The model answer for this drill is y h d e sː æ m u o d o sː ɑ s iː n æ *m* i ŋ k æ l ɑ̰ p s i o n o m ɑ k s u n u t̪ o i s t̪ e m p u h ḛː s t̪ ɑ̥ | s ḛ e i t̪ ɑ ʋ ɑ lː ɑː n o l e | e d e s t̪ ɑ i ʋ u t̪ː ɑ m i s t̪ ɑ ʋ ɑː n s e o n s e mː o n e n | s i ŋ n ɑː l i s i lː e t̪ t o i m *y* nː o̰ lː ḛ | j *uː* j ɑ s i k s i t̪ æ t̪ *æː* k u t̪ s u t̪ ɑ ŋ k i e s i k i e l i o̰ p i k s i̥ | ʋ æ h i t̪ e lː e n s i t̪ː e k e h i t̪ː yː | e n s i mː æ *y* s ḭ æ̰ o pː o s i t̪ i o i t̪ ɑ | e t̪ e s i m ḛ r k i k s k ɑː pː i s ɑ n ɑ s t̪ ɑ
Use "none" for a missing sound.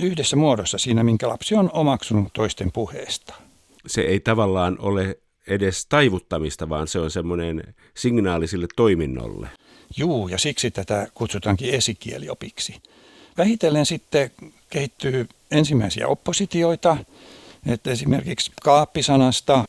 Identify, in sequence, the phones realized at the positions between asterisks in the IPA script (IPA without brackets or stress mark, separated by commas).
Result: m, i, uː, æ, i